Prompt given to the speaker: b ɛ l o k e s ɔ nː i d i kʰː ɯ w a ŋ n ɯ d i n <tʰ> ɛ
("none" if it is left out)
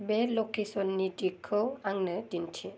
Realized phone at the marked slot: tʰ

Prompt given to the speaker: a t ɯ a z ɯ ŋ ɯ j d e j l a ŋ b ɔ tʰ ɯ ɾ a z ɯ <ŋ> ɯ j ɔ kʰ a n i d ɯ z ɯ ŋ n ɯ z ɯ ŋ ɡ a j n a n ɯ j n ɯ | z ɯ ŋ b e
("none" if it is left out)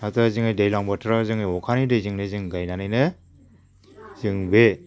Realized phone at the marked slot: ŋ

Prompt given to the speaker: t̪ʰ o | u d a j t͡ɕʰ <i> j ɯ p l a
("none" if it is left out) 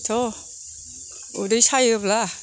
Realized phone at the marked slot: a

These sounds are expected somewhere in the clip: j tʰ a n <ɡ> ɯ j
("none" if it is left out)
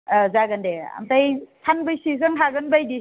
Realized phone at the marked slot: b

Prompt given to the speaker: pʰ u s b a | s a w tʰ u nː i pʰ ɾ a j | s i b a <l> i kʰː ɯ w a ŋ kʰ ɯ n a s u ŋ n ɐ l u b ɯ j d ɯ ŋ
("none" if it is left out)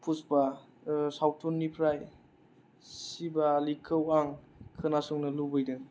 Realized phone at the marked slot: l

